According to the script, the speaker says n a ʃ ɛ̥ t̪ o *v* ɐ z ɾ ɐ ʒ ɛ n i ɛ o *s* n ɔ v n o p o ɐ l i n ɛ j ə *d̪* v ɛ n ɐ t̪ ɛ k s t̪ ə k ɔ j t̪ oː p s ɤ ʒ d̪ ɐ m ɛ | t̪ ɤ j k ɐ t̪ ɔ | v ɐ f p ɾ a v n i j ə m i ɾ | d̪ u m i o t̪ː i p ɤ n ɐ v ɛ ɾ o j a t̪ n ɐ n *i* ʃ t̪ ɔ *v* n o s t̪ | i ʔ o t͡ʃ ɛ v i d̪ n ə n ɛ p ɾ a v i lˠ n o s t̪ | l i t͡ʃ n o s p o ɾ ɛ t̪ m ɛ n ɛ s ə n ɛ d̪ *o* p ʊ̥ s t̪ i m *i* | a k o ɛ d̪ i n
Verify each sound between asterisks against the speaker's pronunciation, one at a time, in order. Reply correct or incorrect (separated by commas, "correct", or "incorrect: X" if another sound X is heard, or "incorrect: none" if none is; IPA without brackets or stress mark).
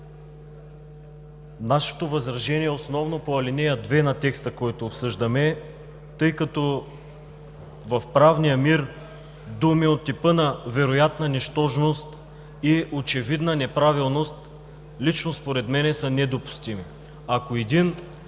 correct, correct, correct, incorrect: ɛ, incorrect: ʒ, correct, correct